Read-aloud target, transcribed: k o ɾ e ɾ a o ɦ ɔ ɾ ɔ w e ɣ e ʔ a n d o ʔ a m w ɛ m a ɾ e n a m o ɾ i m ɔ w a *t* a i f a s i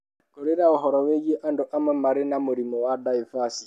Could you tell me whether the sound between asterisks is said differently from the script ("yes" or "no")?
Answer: yes